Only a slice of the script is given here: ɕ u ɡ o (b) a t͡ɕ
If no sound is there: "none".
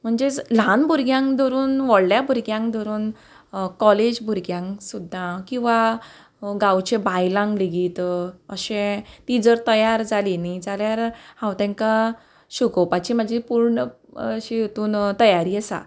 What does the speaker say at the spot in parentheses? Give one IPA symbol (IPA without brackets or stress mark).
p